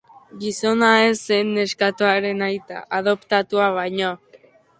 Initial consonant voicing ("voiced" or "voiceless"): voiced